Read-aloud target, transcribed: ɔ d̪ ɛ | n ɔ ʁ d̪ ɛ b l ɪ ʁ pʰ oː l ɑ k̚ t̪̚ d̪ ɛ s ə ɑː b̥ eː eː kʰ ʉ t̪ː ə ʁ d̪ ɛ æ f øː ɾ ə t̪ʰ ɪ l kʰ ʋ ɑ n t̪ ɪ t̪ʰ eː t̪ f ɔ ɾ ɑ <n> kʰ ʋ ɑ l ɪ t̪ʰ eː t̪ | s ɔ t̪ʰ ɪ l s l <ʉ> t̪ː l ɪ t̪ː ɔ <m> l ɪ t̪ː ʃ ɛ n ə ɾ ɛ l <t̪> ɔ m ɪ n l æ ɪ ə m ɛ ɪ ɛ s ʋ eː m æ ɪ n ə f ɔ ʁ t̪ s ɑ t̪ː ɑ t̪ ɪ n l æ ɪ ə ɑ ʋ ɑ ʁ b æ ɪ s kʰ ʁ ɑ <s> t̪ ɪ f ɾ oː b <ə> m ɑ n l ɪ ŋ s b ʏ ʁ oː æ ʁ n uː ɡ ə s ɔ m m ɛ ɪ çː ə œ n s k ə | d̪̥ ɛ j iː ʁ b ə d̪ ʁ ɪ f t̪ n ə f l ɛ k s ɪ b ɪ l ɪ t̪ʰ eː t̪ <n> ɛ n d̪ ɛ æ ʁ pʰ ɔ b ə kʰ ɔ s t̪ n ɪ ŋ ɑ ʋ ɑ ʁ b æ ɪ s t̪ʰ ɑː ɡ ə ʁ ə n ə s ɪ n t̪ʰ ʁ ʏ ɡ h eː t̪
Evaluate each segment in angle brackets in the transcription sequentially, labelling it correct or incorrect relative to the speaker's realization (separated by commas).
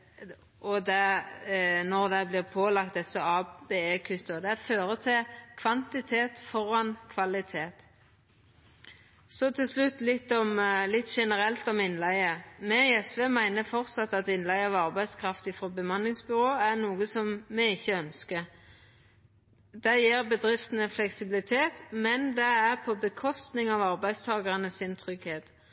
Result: correct, correct, correct, correct, incorrect, correct, incorrect